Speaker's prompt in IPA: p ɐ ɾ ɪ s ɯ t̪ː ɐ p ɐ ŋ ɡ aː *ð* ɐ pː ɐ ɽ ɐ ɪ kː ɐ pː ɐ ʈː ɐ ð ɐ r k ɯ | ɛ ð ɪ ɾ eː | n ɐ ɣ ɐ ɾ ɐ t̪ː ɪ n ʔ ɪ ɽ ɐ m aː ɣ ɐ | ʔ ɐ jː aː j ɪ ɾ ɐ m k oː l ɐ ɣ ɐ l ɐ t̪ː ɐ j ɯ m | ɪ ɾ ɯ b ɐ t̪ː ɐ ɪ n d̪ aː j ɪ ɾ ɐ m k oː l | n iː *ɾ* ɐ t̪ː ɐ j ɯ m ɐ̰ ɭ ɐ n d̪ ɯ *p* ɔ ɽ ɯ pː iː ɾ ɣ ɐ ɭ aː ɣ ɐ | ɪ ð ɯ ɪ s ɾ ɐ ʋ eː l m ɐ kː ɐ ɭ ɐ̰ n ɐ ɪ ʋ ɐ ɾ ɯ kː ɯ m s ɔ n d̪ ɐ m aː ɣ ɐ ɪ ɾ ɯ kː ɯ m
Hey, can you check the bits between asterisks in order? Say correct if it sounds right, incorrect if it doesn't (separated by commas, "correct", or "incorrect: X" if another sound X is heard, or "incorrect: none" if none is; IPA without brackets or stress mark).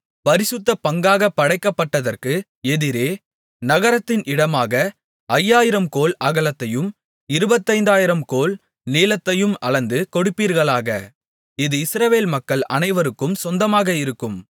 incorrect: ɣ, incorrect: l, incorrect: k